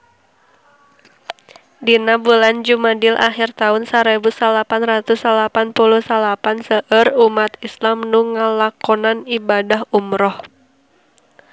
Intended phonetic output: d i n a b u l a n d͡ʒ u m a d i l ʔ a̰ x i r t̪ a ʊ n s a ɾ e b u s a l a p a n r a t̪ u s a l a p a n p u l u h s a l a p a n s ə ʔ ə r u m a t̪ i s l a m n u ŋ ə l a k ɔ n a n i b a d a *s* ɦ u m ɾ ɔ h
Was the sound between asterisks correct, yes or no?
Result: no